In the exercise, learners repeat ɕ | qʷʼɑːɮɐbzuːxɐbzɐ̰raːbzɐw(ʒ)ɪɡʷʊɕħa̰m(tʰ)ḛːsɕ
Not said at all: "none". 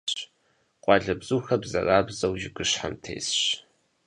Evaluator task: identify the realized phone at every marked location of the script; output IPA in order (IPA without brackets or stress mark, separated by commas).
ʒ, tʰ